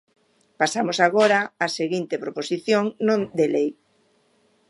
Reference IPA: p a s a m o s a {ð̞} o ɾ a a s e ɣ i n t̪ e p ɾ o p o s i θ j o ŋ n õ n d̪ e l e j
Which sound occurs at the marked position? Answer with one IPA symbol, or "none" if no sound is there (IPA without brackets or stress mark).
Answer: ɣ̞